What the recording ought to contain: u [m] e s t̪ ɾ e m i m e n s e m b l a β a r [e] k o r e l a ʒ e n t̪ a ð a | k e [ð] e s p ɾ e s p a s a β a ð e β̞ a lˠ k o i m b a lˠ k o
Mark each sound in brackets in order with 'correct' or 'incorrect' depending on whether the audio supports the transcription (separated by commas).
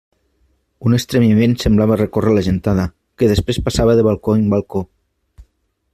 incorrect, correct, correct